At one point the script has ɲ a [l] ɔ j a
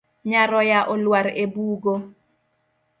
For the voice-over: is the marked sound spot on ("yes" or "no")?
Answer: no